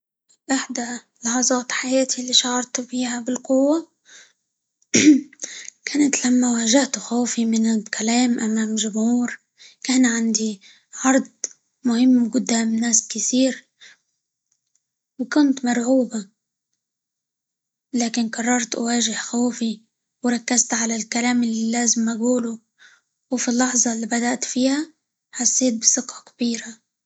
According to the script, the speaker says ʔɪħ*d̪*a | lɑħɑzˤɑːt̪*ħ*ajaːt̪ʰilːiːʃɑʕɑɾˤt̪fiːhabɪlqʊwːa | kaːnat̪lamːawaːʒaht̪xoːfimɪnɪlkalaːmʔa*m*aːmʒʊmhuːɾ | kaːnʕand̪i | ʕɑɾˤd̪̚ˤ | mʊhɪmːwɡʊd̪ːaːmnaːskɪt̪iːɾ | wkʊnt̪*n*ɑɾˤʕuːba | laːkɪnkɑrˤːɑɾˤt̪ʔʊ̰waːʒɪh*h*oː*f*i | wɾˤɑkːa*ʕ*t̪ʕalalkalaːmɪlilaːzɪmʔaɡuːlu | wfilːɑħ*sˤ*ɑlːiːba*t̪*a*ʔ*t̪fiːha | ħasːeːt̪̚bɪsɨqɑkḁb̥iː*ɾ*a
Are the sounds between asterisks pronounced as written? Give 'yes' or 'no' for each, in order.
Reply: yes, yes, yes, no, no, yes, no, no, no, yes, yes

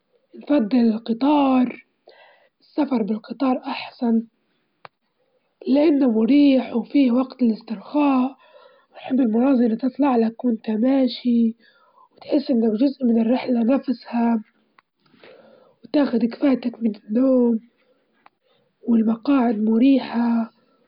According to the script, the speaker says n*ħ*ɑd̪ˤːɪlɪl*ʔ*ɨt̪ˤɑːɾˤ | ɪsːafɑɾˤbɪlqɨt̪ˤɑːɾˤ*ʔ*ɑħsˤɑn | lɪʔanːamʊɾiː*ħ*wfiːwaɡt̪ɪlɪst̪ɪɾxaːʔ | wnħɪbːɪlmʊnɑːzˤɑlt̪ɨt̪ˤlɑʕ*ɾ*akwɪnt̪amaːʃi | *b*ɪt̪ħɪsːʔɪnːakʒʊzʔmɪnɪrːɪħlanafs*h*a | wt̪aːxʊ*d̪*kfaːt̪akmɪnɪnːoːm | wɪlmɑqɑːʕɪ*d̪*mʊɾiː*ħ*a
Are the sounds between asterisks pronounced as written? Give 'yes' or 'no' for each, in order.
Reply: no, no, yes, yes, no, no, yes, yes, yes, yes

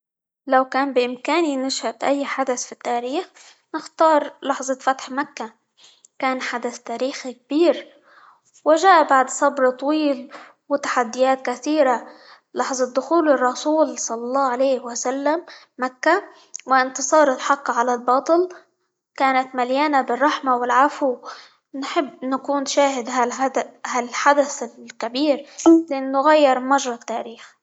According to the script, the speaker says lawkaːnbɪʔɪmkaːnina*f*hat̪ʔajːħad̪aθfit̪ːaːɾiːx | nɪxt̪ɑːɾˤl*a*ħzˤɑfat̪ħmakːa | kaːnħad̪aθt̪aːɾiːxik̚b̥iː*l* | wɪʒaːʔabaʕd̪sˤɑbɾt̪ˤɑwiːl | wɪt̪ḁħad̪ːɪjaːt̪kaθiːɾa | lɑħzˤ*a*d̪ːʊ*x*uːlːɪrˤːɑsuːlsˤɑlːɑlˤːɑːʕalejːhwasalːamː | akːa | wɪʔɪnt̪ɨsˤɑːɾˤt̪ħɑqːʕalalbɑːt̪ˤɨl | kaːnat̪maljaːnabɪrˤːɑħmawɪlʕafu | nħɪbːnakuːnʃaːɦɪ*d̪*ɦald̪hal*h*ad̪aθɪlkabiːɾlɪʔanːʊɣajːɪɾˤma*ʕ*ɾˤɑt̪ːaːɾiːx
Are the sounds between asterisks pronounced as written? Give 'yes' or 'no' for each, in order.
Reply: no, no, no, no, yes, yes, no, no

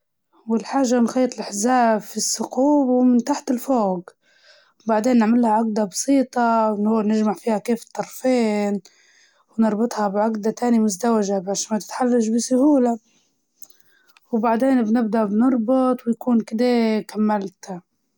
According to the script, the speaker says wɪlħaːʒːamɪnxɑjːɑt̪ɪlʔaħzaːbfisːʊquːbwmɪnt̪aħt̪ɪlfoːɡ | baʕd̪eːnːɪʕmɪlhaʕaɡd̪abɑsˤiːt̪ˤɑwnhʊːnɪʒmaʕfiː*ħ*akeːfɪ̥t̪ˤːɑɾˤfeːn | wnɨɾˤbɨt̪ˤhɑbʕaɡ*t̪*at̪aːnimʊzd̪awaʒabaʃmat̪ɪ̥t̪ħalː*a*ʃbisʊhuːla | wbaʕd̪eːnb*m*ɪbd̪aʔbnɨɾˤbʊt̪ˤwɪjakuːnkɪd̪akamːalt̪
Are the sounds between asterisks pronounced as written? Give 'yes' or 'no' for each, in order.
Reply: no, no, yes, no

